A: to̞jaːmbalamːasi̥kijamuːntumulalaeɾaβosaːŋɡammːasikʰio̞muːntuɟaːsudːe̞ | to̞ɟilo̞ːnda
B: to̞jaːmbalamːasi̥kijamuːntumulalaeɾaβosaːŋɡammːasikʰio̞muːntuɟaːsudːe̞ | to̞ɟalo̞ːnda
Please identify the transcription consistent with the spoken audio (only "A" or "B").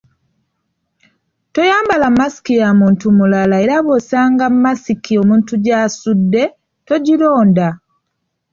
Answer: A